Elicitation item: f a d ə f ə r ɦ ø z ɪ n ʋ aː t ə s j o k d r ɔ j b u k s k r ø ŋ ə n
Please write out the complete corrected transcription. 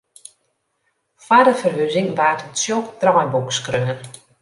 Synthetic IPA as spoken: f a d ə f ə r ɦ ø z ɪ ŋ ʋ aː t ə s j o k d r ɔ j b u k s k r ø ŋ ə n